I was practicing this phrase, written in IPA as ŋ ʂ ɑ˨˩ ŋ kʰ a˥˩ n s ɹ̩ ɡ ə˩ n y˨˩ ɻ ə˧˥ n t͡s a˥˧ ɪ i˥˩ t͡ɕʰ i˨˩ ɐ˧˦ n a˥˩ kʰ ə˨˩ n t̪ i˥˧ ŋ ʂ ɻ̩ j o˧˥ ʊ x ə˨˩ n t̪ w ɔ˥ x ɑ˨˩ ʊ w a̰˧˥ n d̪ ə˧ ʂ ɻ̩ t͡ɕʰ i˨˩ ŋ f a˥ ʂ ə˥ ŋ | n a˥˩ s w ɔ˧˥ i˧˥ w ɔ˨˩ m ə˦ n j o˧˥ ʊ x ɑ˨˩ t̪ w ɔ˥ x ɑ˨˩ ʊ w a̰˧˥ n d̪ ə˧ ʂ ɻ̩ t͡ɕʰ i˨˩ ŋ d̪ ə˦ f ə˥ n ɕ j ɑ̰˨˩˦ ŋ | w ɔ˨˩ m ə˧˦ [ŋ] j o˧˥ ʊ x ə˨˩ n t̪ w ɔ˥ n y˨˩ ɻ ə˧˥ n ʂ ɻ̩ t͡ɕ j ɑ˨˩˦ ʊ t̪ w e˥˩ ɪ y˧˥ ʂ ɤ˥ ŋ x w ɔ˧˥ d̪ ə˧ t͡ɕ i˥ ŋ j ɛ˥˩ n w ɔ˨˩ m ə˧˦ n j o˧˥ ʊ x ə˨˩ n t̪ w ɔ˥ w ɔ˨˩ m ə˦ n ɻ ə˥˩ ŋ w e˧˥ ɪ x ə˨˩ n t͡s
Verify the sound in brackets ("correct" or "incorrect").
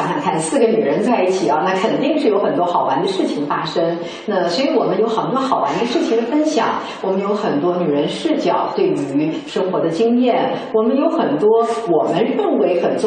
incorrect